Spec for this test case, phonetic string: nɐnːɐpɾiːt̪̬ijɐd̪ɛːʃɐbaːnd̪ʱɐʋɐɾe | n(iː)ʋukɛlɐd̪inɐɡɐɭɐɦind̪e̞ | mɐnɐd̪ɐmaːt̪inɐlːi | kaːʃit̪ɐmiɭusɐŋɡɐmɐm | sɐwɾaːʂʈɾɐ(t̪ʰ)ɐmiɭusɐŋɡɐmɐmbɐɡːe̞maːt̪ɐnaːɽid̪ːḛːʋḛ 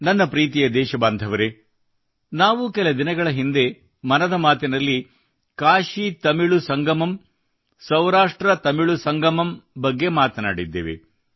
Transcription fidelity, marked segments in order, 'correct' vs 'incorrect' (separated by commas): incorrect, incorrect